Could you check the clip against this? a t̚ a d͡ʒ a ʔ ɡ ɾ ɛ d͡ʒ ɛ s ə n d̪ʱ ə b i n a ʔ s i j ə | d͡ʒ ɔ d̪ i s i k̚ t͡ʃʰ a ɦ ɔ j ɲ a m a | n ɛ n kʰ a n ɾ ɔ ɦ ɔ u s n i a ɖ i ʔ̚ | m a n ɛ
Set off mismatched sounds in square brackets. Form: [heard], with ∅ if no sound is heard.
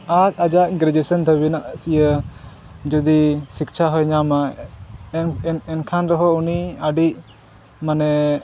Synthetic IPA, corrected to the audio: a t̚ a d͡ʒ a ʔ ɡ ɾ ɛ d͡ʒ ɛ s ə n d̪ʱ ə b i n a ʔ s i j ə | d͡ʒ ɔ d̪ i s i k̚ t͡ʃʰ a ɦ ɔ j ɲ a m a | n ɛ n kʰ a n ɾ ɔ ɦ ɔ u [∅] n i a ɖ i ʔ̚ | m a n ɛ